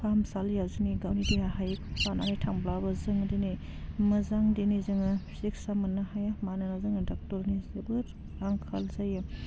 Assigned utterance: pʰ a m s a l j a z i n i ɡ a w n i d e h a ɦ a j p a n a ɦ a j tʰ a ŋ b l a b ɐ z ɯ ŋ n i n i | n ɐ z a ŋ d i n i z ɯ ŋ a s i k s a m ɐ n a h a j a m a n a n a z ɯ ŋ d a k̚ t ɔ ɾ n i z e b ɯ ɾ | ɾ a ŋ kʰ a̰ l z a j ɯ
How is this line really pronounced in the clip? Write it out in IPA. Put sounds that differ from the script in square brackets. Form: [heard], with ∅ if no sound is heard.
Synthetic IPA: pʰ a m s a l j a z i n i ɡ a w n i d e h a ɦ a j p a n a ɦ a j tʰ a ŋ b l a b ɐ z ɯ ŋ [d] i n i | [m] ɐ z a ŋ d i n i z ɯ ŋ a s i k s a m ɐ n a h a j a m a n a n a z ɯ ŋ d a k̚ t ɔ ɾ n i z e b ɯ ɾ | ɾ a ŋ kʰ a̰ l z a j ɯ